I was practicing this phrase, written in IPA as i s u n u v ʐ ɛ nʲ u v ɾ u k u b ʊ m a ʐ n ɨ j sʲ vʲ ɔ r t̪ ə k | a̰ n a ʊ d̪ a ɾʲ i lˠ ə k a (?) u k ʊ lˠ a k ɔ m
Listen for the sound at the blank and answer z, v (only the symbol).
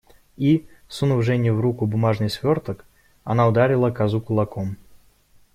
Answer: z